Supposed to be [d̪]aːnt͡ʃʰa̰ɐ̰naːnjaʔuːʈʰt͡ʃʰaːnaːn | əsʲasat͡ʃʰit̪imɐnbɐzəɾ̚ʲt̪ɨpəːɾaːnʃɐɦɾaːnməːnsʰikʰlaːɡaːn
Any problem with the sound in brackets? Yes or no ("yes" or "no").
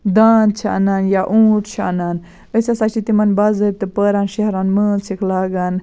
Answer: no